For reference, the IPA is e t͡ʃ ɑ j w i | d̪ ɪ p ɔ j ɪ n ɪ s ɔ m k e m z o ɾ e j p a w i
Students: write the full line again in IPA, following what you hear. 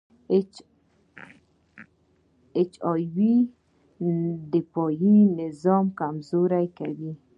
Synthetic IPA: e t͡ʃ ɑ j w i | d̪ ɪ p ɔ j i n ɪ z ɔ m k a m z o ɾ a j k a w i